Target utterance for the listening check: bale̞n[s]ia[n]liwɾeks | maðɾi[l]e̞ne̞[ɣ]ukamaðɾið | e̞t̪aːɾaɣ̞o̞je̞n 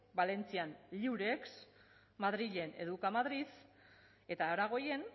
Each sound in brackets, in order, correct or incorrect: incorrect, correct, incorrect, incorrect

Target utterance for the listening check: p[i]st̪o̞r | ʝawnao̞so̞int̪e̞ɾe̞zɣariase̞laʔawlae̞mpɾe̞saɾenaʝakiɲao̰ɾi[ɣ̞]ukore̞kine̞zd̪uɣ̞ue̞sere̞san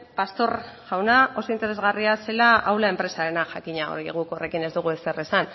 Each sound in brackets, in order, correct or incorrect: incorrect, correct

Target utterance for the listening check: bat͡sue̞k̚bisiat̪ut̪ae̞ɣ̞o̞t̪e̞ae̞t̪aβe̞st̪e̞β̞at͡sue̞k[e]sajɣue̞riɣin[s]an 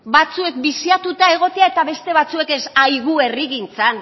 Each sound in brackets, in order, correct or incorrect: correct, incorrect

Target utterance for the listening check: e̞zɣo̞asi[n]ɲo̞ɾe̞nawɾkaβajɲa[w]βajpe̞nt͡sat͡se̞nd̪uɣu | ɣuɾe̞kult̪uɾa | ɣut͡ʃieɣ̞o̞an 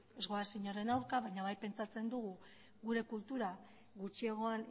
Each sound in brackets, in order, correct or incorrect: incorrect, incorrect

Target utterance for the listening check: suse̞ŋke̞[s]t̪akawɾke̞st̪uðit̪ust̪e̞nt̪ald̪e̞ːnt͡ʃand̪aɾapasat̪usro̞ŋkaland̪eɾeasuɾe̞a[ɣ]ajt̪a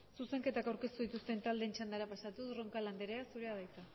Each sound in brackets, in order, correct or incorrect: incorrect, incorrect

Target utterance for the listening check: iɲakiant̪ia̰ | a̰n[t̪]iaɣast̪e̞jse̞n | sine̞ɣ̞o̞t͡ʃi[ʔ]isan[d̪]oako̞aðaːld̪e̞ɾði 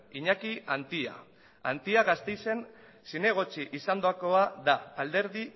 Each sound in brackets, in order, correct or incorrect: correct, correct, correct

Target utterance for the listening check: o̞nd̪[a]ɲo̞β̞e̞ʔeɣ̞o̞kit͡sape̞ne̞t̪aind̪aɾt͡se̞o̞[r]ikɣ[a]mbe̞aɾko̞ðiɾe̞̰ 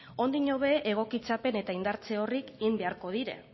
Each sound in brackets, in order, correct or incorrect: incorrect, correct, incorrect

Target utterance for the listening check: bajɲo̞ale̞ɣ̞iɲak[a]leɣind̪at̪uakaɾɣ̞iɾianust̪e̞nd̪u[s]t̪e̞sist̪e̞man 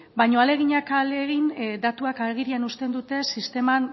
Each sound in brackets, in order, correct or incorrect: correct, incorrect

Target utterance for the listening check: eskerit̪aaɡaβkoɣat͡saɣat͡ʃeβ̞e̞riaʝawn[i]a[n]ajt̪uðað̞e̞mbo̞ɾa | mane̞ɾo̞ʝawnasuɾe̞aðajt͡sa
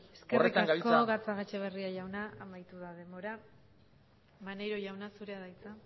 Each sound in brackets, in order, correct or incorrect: incorrect, incorrect

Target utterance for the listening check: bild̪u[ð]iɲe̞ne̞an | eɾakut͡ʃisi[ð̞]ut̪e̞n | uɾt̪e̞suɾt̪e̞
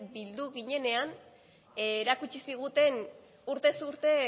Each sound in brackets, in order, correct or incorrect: incorrect, incorrect

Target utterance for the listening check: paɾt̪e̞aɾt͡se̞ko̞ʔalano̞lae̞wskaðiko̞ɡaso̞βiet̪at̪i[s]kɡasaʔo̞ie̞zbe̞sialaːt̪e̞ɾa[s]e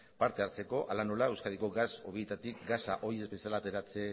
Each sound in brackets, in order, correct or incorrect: incorrect, incorrect

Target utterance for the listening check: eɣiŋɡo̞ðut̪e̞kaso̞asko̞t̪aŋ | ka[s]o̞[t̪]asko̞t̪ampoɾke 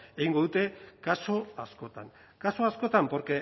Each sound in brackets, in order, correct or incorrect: correct, incorrect

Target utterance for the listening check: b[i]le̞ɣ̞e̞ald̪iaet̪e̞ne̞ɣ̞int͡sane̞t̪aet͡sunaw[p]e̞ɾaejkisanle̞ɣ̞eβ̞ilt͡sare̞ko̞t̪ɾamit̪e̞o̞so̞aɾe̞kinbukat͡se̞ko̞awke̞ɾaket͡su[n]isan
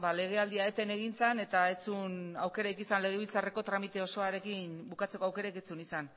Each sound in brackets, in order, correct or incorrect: incorrect, incorrect, correct

